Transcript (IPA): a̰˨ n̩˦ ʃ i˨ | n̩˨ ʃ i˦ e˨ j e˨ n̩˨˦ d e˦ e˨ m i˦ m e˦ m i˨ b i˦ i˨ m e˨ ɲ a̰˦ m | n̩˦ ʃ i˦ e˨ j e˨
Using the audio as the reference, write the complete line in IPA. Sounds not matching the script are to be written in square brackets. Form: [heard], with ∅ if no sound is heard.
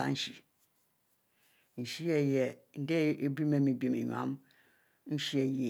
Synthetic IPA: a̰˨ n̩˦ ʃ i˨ | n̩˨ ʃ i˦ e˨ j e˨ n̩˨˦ d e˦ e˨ [b] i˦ m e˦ m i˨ b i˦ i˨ m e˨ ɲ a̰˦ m | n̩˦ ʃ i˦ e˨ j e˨